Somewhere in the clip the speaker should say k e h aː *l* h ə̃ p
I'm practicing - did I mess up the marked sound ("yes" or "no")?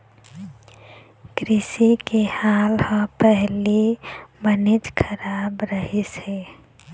no